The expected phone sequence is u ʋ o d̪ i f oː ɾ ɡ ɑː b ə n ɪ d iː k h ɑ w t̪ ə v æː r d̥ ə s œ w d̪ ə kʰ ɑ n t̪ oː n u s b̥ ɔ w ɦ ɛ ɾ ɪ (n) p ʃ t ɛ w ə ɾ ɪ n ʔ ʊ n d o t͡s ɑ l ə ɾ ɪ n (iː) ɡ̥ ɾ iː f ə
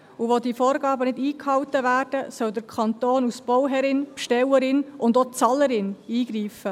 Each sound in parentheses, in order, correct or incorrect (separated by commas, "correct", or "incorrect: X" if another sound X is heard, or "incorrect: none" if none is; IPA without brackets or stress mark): correct, correct